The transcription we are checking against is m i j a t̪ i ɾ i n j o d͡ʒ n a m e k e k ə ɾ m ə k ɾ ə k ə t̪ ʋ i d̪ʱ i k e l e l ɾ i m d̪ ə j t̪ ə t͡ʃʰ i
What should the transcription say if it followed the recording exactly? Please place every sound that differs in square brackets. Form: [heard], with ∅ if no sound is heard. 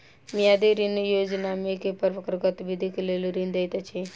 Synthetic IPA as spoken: m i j a [d̪] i ɾ i n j o d͡ʒ n a m e k e [p] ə ɾ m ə k ɾ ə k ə t̪ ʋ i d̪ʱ i k e l e l ɾ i [n] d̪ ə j t̪ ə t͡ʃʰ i